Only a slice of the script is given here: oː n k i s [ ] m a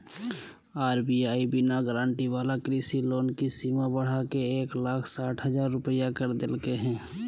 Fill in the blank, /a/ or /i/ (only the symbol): i